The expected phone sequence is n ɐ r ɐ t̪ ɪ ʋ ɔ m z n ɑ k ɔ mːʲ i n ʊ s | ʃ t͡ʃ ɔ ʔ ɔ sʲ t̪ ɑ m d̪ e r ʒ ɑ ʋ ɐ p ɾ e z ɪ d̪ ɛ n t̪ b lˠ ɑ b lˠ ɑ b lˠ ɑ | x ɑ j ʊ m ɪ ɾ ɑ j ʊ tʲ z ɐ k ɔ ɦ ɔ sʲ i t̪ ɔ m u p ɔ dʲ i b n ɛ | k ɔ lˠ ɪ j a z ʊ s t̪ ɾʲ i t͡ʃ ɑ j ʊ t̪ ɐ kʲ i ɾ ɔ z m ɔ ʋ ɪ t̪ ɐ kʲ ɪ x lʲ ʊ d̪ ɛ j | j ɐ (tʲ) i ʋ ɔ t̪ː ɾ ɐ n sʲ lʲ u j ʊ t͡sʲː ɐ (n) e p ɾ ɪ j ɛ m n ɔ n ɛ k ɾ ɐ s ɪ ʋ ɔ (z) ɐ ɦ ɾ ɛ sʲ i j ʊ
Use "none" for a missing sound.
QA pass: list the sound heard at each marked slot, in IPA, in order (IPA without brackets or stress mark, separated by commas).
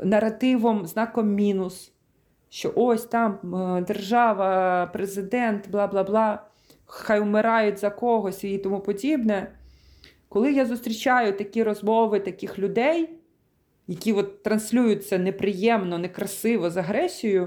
kʲ, n, z